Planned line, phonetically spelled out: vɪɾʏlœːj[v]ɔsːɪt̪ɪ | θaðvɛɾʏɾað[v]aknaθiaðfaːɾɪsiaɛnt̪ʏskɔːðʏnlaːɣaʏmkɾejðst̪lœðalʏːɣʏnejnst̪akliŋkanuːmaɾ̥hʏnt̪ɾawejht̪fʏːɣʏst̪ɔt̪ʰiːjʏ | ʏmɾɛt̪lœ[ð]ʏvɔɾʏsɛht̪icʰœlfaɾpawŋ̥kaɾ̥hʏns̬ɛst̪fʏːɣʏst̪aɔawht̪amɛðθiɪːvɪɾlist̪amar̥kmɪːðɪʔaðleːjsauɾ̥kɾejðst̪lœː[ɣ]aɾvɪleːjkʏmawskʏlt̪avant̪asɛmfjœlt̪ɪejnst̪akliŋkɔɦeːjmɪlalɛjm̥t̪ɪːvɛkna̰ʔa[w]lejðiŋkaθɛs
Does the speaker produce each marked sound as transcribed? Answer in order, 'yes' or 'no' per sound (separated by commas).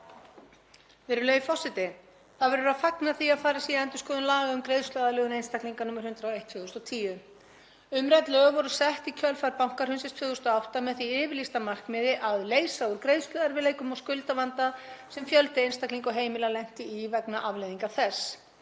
no, no, no, no, no